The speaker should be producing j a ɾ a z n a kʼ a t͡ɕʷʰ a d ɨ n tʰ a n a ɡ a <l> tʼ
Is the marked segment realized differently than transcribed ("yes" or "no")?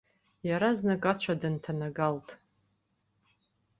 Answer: no